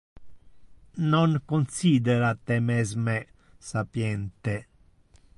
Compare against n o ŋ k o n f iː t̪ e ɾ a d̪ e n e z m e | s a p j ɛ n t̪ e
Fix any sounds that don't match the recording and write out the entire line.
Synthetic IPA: n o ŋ k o n s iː d̪ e ɾ a t̪ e m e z m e | s a p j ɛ n t̪ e